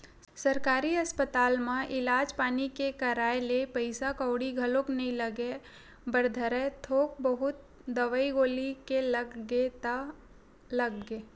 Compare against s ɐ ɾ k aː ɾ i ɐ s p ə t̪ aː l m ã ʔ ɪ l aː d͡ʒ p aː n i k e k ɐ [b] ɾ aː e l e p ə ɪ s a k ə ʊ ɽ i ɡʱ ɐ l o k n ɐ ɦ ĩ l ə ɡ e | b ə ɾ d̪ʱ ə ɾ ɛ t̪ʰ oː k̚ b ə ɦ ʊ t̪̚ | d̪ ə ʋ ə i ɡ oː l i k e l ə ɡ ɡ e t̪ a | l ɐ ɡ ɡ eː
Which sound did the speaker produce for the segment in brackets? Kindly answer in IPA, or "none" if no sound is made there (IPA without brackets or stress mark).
none